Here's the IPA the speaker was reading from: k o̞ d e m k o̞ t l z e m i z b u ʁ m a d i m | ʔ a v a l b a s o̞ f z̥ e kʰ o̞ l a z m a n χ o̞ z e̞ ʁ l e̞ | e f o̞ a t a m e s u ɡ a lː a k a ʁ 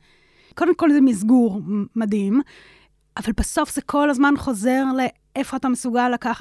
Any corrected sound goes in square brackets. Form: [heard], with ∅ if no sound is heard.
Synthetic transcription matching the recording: k o̞ d e m k o̞ [∅] l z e m i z [ɡ] u ʁ m a d i m | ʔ a v a l b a s o̞ f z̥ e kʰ o̞ l a z m a n χ o̞ z e̞ ʁ l e̞ | e f o̞ a t a m e s u ɡ a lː a k a [χ]